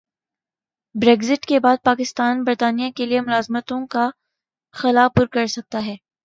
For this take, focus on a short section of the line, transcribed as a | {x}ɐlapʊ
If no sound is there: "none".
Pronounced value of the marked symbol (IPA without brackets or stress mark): x